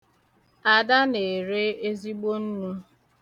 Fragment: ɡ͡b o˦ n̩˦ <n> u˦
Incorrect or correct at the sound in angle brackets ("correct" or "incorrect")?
correct